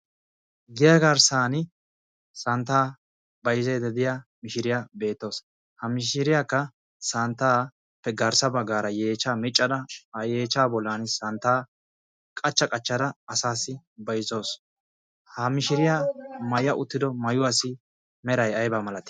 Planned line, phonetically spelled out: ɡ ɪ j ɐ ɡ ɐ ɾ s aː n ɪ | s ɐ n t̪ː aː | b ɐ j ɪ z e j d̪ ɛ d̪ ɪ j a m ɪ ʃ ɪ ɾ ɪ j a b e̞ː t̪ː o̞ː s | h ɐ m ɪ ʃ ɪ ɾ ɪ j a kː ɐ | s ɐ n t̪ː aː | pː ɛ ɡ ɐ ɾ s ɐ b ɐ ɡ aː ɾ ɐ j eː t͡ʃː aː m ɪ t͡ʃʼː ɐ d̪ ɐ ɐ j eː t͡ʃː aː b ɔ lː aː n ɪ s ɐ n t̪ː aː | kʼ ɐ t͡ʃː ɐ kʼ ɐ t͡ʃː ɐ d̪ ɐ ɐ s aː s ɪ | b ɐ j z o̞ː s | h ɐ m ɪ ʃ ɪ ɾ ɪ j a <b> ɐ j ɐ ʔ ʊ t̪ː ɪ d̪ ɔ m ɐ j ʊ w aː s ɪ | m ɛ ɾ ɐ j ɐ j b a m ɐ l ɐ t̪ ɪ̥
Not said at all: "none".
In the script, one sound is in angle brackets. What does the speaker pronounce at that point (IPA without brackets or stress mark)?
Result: m